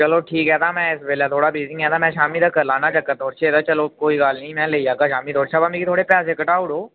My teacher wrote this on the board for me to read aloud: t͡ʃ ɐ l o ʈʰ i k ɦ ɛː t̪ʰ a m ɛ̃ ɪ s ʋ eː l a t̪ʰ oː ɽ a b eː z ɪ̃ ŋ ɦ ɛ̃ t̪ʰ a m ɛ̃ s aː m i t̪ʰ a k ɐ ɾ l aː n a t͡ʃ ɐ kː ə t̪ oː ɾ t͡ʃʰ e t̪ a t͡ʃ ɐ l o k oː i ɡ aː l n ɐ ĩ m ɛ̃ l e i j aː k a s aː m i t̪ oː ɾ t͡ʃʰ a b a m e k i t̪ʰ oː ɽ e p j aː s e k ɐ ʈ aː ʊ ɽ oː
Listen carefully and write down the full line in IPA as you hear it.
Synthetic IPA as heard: t͡ʃ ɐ l o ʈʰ iː k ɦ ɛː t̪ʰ a m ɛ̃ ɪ s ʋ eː l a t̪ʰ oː ɽ a b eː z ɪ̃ ŋ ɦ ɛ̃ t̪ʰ a m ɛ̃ ʃ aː m i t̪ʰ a k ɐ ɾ l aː n a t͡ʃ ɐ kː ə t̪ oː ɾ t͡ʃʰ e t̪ a t͡ʃ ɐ l o k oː i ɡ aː l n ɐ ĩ m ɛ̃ l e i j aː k a ʃ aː m i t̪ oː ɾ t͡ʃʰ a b a m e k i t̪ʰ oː ɽ e p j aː s e k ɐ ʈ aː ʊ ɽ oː